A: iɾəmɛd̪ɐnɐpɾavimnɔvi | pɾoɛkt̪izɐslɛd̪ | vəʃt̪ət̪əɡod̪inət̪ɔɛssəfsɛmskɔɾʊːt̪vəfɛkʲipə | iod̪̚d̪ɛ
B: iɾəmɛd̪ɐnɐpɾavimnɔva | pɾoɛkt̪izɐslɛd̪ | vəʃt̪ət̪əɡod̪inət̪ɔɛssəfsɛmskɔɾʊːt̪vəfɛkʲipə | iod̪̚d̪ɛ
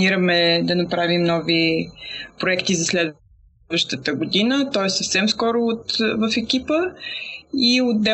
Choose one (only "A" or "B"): A